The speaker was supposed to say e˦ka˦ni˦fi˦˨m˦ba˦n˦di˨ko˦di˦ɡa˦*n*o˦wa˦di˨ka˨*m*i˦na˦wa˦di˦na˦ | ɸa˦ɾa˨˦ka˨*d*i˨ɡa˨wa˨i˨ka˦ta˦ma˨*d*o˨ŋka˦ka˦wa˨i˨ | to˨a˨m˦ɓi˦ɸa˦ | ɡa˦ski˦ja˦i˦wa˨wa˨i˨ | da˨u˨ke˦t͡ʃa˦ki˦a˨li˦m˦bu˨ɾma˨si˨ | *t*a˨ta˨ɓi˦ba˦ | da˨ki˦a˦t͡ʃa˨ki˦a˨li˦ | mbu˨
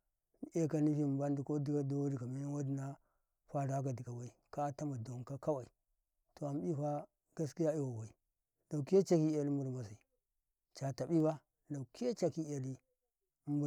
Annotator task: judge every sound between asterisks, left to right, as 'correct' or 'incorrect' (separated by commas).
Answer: incorrect, correct, correct, correct, incorrect